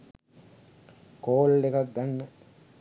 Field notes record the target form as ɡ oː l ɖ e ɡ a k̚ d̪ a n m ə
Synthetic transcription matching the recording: k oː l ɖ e k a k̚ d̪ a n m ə